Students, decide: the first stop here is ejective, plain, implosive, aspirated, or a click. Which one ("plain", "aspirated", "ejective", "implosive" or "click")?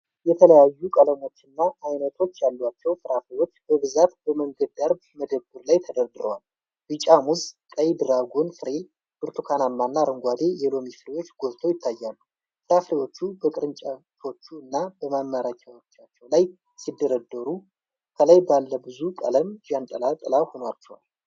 aspirated